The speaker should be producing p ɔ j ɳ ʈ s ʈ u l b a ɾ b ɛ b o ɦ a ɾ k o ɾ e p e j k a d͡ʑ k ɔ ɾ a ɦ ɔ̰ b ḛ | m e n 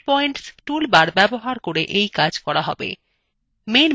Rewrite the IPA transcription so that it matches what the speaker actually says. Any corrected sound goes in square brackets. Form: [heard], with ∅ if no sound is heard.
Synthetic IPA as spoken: p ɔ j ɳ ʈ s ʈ u l b a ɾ b ɛ b o ɦ a ɾ k o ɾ e [ʔ] e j k a d͡ʑ k ɔ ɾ a ɦ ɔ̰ b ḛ | m e n